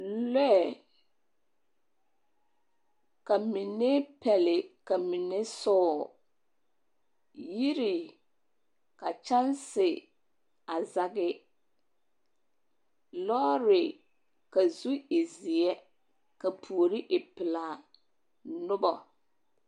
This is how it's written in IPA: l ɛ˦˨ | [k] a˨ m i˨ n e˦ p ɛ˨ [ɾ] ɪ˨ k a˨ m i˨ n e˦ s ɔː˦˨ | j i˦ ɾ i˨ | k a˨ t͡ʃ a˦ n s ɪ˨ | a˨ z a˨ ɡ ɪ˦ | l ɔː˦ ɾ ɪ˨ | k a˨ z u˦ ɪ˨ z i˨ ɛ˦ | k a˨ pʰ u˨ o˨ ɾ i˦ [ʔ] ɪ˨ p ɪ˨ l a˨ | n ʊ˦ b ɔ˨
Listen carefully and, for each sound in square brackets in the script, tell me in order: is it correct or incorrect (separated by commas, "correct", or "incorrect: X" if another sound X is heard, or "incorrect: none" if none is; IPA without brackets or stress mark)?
correct, incorrect: l, correct